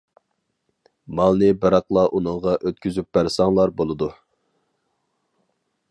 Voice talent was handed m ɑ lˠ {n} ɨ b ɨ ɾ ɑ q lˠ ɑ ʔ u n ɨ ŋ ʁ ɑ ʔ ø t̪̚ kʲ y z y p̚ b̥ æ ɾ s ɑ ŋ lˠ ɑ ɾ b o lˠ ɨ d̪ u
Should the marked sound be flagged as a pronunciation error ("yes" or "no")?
no